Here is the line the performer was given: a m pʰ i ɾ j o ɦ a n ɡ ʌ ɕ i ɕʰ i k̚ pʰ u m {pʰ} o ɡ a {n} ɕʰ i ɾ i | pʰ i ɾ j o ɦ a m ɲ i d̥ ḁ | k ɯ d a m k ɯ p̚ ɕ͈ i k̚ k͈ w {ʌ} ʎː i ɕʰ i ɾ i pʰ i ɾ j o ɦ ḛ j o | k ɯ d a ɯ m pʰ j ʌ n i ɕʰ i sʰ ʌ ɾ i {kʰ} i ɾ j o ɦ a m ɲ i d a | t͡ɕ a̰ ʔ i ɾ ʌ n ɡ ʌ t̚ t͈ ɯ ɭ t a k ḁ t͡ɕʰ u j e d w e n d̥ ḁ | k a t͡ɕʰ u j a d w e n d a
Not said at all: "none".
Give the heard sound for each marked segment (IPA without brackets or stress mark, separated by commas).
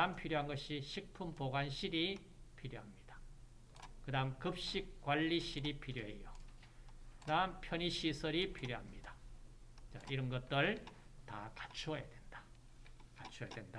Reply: p, n, a, pʰ